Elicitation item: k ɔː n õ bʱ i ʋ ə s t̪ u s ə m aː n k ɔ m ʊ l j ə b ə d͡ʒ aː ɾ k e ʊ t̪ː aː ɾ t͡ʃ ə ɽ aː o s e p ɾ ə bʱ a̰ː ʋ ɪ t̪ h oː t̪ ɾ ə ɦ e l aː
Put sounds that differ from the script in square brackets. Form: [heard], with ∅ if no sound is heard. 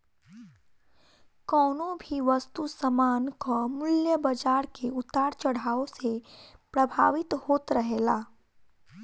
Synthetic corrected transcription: k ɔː n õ bʱ i ʋ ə s t̪ u s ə m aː n k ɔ m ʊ l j ə b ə d͡ʒ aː ɾ k e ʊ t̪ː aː ɾ t͡ʃ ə ɽ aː o s e p ɾ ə bʱ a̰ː ʋ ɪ t̪ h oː t̪ ɾ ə ɦ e l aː